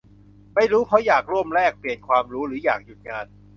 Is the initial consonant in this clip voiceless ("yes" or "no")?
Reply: no